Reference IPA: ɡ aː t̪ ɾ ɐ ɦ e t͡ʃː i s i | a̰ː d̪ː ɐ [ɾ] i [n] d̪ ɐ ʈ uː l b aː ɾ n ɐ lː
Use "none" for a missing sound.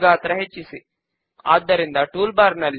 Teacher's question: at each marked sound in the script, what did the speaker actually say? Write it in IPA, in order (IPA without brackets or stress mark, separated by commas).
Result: ɾ, n